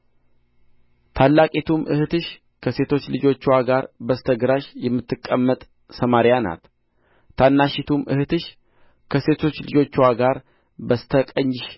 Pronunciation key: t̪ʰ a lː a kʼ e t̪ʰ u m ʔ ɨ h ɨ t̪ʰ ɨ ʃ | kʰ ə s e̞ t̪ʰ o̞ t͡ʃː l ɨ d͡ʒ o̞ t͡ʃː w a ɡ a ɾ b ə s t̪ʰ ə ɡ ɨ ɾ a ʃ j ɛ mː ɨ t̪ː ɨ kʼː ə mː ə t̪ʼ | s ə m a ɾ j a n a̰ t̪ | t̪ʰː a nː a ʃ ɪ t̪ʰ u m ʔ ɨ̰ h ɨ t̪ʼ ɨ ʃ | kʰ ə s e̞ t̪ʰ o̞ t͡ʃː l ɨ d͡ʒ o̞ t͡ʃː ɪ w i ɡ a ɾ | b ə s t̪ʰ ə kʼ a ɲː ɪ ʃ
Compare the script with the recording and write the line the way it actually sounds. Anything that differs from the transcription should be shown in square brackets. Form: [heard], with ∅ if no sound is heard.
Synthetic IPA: t̪ʰ a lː a kʼ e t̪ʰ u m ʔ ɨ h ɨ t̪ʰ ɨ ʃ | kʰ ə s e̞ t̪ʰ o̞ t͡ʃː l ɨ d͡ʒ o̞ t͡ʃː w a ɡ a ɾ b ə s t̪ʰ ə ɡ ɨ ɾ a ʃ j ɛ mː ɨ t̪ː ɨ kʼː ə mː ə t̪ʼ | s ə m a ɾ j a n a̰ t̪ | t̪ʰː a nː a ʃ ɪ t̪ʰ u m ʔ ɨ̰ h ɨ [t̪] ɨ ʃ | kʰ ə s e̞ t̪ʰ o̞ t͡ʃː l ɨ d͡ʒ o̞ t͡ʃː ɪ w [a] ɡ a ɾ | b ə s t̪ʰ ə kʼ [ə] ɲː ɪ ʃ